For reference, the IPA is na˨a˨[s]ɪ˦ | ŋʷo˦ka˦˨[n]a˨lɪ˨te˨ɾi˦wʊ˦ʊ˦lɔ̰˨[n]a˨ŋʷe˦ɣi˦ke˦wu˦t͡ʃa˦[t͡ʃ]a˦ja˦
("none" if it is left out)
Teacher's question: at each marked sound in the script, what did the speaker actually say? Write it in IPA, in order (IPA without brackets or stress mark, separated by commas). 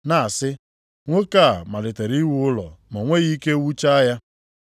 s, m, m, none